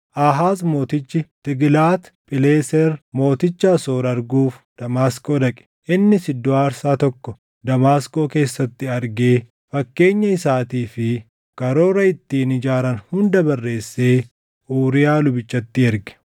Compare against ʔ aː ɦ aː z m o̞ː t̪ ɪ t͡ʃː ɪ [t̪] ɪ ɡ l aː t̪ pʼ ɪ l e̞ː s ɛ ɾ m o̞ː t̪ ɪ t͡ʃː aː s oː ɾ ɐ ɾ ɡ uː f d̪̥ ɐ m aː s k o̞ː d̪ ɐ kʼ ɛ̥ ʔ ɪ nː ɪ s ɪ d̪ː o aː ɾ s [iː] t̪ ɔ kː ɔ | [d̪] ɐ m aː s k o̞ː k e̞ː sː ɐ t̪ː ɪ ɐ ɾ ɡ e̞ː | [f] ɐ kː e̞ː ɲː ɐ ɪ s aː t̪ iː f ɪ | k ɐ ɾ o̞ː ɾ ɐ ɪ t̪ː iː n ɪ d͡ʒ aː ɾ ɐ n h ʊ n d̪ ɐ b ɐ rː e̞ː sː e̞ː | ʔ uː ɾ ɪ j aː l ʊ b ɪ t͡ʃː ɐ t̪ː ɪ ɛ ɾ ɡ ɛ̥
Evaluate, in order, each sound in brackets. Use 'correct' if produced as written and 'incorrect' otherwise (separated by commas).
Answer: correct, incorrect, correct, correct